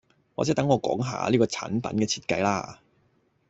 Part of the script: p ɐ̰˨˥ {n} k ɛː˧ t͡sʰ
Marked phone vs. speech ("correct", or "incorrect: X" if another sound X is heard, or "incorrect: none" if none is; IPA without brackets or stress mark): correct